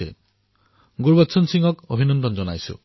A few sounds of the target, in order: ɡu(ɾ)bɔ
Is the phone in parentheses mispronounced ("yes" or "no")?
no